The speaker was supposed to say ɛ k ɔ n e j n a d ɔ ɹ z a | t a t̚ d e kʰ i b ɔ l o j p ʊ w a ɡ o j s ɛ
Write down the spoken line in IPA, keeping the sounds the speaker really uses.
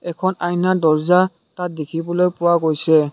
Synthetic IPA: ɛ kʰ ɔ n a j n a d ɔ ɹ z a | t a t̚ d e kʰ i b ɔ l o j p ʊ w a ɡ o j s ɛ